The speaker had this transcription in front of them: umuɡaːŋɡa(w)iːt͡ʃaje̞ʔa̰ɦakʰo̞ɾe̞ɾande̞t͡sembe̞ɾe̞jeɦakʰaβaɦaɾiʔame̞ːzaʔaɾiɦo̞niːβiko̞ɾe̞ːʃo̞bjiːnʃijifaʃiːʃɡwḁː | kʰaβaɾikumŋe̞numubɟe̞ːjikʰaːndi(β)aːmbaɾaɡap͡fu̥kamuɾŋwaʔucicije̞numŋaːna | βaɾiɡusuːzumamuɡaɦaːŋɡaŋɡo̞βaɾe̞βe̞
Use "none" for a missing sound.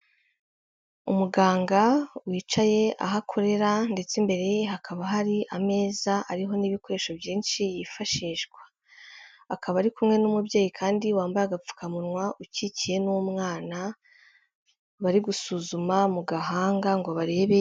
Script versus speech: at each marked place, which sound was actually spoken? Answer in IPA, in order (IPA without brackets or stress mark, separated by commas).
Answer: w, w